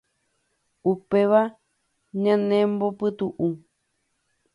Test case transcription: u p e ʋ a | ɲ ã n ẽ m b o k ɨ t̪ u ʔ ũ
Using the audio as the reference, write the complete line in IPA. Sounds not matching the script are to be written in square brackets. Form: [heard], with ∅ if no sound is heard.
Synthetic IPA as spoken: u p e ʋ a | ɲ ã n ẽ m b o [p] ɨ t̪ u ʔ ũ